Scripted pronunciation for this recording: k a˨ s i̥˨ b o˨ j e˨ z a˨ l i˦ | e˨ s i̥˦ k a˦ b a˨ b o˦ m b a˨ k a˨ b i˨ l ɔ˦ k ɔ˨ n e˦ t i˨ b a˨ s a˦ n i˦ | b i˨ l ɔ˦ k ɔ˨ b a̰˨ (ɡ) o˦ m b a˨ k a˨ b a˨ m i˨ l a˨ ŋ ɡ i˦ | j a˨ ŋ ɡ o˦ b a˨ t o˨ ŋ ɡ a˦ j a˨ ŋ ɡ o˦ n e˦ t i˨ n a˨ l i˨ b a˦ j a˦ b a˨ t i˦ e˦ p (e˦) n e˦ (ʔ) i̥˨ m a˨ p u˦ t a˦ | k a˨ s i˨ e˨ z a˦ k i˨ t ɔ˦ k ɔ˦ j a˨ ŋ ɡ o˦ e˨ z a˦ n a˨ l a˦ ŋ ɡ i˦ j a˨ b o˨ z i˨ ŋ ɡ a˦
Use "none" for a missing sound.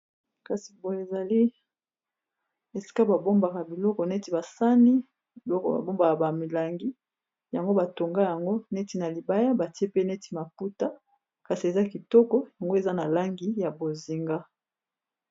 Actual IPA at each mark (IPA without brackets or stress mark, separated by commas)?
b, e˦, t